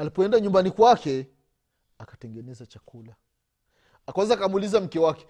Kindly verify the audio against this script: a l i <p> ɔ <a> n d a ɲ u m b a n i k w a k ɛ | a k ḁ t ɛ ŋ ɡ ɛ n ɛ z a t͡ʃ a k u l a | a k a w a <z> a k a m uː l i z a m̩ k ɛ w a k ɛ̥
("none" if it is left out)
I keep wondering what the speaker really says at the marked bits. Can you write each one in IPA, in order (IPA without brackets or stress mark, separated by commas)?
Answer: p, ɛ, z